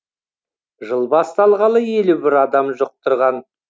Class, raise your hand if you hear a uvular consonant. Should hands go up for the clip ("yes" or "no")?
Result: yes